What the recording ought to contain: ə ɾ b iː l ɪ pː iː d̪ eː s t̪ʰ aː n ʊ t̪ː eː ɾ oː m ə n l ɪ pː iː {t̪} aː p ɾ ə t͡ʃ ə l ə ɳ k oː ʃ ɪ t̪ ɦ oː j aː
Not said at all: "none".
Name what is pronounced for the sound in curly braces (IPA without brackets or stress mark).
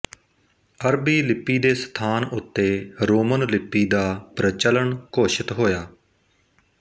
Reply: d̪